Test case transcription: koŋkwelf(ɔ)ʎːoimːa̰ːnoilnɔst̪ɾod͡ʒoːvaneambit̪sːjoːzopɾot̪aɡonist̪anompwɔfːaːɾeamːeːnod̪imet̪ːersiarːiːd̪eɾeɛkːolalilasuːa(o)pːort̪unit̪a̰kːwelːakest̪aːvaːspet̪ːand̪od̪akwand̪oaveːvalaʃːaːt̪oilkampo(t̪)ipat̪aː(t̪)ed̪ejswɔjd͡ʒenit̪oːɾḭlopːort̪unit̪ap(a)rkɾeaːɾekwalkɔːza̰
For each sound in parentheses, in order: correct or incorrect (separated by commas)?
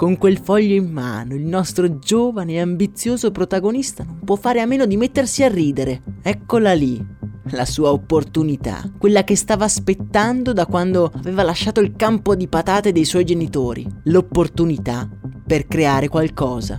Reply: correct, correct, incorrect, correct, incorrect